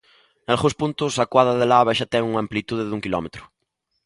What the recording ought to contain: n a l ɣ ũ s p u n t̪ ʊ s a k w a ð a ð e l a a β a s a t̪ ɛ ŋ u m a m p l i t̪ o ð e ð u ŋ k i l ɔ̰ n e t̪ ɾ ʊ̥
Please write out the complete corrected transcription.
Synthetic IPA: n a l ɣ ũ s p u n t̪ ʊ s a k w a ð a ð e l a a β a ʃ a t̪ ɛ ŋ u ŋ a m p l i t̪ u ð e ð u ŋ k i l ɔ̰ m e t̪ ɾ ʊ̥